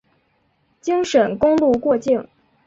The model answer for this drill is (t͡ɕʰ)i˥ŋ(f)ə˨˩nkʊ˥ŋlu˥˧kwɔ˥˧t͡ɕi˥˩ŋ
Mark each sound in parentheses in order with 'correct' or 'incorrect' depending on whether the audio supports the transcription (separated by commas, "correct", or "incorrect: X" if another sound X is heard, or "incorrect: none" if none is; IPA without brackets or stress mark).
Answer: incorrect: t͡ɕ, incorrect: ʂ